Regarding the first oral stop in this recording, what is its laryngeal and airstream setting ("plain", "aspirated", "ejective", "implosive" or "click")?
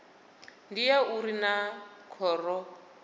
plain